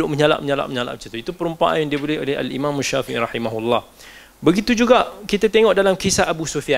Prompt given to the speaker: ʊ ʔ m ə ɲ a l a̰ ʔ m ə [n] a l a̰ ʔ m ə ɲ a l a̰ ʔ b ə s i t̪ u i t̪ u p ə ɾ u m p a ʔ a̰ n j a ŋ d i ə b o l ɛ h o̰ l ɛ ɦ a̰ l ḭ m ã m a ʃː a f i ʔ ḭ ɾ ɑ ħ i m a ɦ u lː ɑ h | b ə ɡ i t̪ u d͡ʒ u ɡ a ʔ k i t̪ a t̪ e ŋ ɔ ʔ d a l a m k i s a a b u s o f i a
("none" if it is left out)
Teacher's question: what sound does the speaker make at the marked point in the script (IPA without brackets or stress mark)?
ɲ